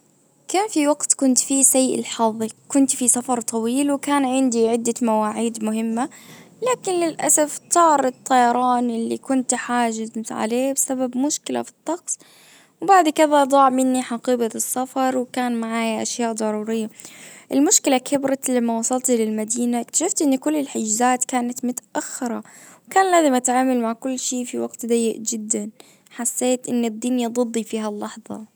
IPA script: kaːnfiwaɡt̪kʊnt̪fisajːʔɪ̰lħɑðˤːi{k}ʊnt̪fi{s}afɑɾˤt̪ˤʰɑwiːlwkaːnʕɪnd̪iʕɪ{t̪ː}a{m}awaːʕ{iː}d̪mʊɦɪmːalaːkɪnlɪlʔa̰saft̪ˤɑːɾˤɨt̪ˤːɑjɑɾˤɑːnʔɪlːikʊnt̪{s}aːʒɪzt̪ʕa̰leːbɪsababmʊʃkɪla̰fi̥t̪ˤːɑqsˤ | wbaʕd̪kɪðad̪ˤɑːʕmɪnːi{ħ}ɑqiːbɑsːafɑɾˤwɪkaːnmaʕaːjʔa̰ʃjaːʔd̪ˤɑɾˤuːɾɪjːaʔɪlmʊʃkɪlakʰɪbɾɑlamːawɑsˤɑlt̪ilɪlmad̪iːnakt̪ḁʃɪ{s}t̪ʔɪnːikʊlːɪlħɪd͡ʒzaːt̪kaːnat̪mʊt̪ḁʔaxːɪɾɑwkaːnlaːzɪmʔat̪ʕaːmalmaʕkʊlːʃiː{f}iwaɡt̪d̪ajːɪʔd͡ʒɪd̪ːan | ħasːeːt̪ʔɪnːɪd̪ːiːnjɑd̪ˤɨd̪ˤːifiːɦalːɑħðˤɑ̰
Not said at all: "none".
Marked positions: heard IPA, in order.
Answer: k, s, d̪ː, m, iː, ħ, ħ, f, f

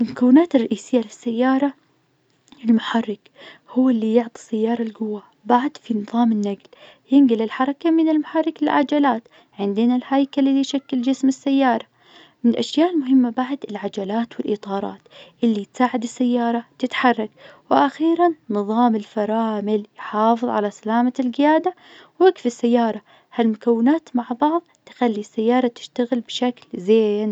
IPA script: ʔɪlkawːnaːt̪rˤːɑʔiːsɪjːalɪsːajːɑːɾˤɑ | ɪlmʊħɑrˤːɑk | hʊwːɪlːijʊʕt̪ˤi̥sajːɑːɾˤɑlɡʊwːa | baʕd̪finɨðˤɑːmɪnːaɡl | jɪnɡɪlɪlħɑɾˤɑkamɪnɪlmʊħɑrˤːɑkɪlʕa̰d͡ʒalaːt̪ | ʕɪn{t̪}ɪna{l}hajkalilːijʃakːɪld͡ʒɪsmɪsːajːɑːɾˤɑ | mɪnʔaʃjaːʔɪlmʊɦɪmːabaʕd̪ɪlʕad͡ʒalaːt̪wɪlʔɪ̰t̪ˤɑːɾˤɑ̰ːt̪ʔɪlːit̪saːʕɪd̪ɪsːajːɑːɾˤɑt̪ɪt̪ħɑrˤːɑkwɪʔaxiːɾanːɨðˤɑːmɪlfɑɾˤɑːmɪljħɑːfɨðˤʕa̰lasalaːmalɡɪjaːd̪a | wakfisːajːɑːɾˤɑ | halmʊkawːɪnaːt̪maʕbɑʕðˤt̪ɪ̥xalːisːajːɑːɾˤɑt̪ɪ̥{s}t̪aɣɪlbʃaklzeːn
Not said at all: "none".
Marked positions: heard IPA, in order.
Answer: d̪, l, ʃ

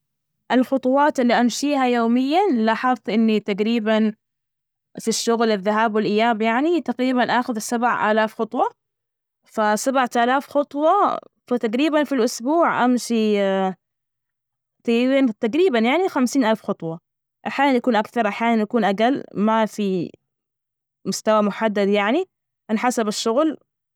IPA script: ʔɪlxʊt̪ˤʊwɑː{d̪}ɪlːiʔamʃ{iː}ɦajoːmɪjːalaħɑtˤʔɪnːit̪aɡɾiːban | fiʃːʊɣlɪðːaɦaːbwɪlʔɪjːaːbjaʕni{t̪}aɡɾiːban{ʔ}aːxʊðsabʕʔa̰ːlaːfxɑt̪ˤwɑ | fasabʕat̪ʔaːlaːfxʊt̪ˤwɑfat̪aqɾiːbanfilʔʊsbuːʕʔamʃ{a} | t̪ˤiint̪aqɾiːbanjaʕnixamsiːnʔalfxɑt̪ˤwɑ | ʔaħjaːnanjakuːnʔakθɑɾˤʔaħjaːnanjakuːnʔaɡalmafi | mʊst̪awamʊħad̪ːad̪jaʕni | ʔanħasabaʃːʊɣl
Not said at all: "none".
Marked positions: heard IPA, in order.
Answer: t̪, iː, t̪, ʔ, i

